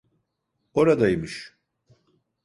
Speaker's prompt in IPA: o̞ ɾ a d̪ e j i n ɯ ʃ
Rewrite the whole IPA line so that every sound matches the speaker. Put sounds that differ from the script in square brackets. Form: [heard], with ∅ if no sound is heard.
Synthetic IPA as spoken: o̞ ɾ a d̪ [a] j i [m] ɯ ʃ